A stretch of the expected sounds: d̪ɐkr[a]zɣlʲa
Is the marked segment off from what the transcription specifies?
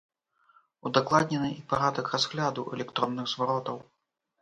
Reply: no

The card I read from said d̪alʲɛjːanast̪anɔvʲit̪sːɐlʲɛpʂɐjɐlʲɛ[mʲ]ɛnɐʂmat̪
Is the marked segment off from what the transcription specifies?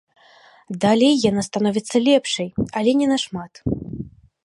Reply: yes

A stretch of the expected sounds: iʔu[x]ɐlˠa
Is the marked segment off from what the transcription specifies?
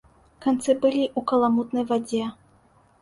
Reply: yes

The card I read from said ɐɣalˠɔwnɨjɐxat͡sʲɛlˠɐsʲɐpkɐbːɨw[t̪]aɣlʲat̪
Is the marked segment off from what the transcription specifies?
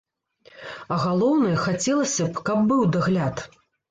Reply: yes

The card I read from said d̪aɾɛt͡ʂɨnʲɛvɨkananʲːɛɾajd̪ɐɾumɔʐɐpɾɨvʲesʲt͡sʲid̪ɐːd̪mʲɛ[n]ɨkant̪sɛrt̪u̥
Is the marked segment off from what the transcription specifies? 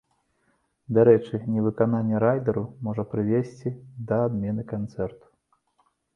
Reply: no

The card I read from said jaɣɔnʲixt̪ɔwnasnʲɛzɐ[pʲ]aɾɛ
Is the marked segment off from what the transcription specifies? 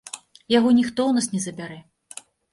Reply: yes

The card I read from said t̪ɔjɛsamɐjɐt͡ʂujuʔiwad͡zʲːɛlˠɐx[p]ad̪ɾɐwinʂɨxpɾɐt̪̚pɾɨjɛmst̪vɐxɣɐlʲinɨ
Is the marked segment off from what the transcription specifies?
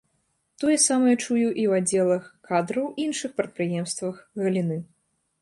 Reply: yes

